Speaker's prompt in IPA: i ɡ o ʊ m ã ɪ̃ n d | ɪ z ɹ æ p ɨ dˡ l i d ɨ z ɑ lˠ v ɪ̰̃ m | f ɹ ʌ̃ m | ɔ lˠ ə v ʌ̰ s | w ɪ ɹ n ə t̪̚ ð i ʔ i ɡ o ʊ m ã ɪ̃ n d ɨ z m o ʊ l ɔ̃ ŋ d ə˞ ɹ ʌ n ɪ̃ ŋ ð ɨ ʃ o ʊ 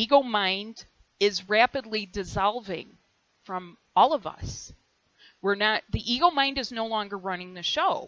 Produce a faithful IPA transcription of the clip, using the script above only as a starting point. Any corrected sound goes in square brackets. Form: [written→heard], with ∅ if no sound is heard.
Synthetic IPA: i ɡ o ʊ m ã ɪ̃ n d | ɪ z ɹ æ p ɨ dˡ l i d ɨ z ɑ lˠ v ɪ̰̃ [m→ŋ] | f ɹ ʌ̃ m | ɔ lˠ [ə→ʌ] v ʌ̰ s | w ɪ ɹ n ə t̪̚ ð i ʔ i ɡ o ʊ m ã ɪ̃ n d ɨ z [m→n] o ʊ l ɔ̃ ŋ [d→ɡ] ə˞ ɹ ʌ n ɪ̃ ŋ ð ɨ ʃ o ʊ